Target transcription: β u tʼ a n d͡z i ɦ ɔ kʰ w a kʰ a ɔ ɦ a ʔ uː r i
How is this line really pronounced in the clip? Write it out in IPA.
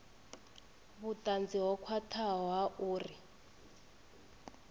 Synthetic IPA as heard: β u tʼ a n d͡z i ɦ ɔ kʰ w a tʰ a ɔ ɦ a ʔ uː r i